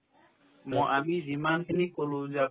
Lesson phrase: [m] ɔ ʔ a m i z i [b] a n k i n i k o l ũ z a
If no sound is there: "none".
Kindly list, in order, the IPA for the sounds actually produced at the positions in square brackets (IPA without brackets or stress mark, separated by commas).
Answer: m, m